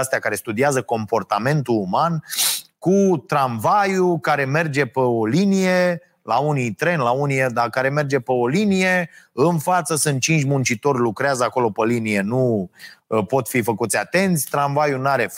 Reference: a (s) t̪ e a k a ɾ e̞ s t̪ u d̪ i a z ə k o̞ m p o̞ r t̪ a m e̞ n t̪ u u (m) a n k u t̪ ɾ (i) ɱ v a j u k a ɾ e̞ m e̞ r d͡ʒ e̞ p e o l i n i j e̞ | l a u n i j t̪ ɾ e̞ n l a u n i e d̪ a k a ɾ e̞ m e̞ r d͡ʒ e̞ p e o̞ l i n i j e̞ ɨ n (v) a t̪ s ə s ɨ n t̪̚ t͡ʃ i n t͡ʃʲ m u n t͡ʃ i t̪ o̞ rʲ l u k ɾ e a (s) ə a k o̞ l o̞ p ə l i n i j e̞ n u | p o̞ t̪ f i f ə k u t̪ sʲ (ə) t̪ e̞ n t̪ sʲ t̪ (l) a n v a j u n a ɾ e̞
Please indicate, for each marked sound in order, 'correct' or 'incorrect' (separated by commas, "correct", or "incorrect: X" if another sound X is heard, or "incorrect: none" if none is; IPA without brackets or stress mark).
correct, correct, incorrect: a, incorrect: f, incorrect: z, incorrect: a, incorrect: ɾ